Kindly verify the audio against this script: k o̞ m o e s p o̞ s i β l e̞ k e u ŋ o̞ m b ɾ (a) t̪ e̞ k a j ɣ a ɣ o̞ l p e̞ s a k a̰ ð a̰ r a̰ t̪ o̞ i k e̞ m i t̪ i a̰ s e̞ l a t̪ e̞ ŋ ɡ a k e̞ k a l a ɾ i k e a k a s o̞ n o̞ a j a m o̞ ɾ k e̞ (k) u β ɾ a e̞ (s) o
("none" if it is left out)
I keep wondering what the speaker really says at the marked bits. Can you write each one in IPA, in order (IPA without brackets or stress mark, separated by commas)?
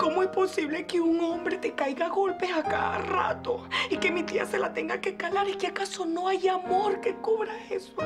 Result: e, k, s